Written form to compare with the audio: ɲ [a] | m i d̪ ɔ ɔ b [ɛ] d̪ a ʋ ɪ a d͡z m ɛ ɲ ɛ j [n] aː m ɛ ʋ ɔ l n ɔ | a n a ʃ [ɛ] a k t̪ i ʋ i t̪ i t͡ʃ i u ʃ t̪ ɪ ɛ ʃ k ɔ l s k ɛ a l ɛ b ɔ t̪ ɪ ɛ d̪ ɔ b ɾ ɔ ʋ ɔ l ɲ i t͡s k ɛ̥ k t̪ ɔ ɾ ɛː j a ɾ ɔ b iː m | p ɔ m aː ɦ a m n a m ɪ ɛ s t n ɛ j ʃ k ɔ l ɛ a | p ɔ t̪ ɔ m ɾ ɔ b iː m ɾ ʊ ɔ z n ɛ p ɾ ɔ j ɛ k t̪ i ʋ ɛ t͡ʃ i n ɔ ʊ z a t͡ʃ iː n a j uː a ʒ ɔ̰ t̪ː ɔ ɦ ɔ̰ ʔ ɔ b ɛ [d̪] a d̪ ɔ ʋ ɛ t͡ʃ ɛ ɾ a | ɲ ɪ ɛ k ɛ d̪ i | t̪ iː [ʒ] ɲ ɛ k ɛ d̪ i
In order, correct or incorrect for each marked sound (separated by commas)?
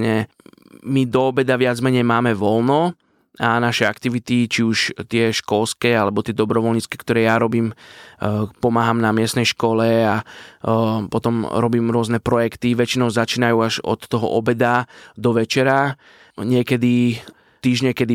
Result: incorrect, correct, incorrect, correct, correct, correct